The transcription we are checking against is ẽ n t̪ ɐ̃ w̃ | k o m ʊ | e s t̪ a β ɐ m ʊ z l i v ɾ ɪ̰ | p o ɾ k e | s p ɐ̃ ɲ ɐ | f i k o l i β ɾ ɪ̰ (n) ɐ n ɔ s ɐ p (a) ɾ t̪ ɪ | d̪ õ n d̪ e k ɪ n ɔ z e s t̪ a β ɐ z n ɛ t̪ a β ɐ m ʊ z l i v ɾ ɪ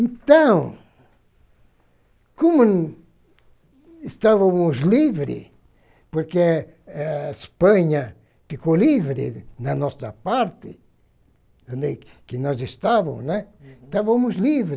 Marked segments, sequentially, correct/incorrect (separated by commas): correct, correct